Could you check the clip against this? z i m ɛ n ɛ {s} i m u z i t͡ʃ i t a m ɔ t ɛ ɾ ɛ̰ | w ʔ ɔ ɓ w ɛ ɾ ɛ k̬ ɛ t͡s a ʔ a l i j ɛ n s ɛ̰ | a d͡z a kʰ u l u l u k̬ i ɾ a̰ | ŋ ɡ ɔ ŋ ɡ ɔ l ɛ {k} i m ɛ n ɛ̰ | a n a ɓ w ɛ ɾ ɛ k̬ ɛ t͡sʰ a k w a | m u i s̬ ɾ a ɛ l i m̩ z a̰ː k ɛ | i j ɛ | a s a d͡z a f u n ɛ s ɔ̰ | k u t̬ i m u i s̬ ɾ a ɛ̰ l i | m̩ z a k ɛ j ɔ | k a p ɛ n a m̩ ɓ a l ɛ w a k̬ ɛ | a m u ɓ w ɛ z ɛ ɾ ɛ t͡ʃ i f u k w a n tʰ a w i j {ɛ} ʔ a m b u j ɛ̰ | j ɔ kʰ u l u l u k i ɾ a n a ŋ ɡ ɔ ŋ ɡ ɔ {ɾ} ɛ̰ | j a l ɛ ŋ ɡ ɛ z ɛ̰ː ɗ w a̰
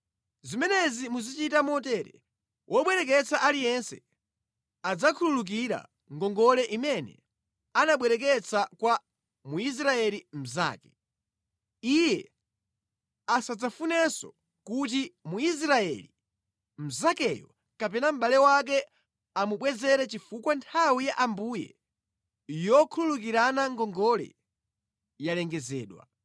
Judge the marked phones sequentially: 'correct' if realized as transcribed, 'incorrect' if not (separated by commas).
incorrect, incorrect, incorrect, incorrect